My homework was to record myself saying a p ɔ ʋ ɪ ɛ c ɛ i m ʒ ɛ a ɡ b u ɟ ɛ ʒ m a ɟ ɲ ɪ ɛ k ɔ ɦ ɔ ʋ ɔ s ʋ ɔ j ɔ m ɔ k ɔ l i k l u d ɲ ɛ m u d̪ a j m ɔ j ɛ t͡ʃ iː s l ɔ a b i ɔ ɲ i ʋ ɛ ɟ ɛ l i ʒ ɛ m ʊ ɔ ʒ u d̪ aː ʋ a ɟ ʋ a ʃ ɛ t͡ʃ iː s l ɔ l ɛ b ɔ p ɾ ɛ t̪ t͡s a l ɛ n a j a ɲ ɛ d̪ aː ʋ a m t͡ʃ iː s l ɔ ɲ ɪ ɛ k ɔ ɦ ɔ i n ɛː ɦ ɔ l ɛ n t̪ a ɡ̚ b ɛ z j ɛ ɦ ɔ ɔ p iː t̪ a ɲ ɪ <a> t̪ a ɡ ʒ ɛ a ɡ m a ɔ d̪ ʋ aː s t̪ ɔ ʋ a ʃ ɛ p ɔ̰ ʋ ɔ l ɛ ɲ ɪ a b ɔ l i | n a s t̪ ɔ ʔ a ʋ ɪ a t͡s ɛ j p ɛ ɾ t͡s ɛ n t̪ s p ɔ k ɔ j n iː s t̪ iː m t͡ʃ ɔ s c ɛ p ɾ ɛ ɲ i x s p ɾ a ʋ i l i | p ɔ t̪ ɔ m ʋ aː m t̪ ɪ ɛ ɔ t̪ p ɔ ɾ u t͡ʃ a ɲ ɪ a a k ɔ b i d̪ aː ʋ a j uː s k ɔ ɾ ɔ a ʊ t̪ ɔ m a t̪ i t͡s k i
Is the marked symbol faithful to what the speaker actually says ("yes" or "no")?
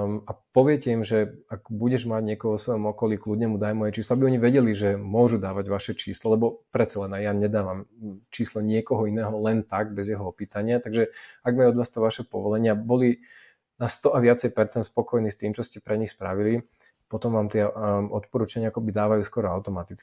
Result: yes